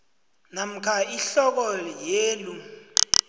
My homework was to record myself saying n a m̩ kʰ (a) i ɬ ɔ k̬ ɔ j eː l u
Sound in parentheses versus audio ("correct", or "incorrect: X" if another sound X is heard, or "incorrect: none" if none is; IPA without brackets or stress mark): correct